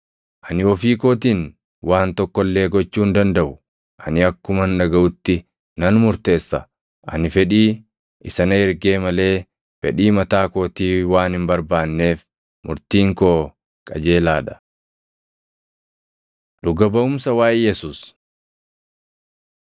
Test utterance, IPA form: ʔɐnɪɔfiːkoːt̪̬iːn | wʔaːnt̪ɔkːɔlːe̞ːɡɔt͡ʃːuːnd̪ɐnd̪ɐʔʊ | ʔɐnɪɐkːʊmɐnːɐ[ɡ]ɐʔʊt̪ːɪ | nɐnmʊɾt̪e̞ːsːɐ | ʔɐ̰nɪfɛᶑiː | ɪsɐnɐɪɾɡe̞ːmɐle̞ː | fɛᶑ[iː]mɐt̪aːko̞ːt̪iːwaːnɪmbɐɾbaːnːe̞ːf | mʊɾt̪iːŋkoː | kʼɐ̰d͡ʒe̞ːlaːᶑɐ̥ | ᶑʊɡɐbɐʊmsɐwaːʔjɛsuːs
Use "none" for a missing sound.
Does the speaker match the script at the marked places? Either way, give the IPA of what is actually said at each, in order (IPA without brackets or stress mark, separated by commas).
ɡ, iː